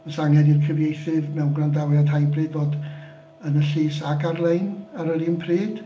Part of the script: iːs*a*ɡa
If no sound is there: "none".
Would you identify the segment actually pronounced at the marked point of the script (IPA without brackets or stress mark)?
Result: a